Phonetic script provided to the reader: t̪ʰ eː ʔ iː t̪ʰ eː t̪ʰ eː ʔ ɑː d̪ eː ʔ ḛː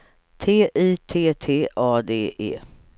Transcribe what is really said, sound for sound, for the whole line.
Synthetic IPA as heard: t̪ʰ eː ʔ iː t̪ʰ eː t̪ʰ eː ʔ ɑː d̪ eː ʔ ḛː